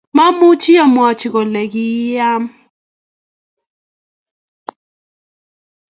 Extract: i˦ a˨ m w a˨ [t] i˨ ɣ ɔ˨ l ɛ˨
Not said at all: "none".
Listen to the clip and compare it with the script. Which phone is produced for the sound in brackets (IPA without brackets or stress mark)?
t͡ʃ